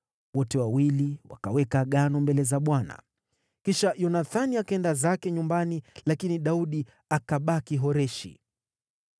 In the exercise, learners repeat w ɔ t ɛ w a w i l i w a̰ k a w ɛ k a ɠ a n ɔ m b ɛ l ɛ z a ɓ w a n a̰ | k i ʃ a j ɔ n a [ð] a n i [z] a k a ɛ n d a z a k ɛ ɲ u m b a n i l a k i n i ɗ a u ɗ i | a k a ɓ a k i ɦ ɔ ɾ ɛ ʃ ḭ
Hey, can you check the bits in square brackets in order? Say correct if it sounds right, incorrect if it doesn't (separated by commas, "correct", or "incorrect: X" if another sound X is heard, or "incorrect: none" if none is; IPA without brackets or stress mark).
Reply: incorrect: θ, incorrect: none